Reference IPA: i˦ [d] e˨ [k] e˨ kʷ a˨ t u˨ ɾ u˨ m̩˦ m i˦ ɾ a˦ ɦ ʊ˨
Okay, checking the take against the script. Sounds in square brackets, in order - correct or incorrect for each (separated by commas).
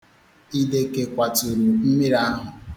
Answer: correct, correct